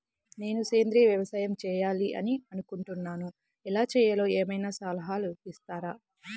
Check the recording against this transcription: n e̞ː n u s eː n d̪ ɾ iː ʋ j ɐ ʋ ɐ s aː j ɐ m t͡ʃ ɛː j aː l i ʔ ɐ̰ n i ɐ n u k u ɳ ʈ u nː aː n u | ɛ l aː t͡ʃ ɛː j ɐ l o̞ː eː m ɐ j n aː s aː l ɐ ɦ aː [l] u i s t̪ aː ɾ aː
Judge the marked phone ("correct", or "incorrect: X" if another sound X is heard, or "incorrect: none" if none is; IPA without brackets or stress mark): correct